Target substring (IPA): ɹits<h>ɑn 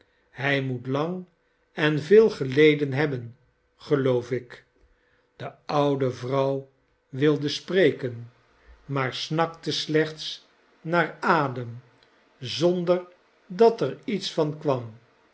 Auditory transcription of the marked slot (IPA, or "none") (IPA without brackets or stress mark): f